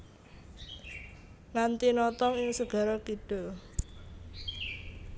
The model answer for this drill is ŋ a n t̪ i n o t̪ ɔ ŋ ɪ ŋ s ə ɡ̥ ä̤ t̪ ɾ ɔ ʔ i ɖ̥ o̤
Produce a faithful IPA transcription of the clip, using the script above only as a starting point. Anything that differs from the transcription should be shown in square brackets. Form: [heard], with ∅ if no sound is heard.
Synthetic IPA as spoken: ŋ a n t̪ i n [ɔ] t̪ ɔ ŋ ɪ ŋ s ə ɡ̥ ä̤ [∅] ɾ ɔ [k] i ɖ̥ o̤